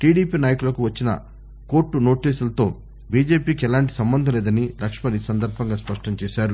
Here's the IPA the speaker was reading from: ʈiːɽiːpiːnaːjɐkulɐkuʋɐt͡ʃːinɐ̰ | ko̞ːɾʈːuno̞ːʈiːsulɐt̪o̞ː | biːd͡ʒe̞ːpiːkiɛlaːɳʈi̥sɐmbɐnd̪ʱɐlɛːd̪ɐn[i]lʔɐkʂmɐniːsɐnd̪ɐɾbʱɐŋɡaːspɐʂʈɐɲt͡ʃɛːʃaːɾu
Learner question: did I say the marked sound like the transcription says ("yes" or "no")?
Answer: yes